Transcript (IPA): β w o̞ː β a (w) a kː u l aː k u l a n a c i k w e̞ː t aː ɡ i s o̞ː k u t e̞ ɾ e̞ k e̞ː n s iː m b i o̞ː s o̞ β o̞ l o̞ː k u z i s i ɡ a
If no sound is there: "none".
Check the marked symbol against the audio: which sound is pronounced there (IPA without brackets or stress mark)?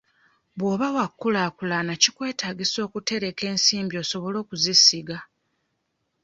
w